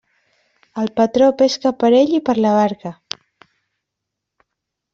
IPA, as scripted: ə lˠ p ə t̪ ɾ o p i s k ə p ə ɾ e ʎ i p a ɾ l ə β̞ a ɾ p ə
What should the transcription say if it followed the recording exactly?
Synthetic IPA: ə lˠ p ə t̪ ɾ o p e s k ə p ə ɾ e ʎ i p ə ɾ l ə β̞ a ɾ k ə